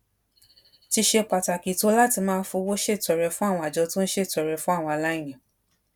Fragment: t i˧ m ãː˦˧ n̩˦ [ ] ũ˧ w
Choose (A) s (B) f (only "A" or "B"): B